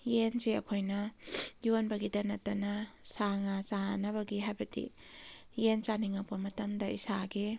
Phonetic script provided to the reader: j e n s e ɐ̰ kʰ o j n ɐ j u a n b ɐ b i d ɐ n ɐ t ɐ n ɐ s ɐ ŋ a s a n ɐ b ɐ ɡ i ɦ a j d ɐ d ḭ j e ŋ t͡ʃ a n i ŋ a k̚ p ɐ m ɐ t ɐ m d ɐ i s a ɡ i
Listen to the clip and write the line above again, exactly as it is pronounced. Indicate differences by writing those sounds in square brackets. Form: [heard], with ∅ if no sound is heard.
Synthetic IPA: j e n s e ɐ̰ kʰ o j n ɐ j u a n b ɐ [ɡ] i d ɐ n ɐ t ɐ n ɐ s [a] ŋ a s a n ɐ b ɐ ɡ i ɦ a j [b] ɐ d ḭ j e [n] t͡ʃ a n i ŋ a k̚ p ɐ m ɐ t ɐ m d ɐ i s a ɡ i